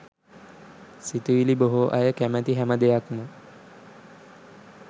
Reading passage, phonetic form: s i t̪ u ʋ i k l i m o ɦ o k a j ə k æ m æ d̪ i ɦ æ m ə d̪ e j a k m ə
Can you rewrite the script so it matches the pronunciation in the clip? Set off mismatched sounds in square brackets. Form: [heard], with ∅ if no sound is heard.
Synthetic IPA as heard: s i t̪ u ʋ i [∅] l i [b] o ɦ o [ʔ] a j ə k æ m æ [t̪] i ɦ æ m ə d̪ e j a k m ə